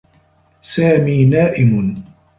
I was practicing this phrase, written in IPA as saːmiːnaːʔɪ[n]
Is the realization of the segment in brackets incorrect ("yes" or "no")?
yes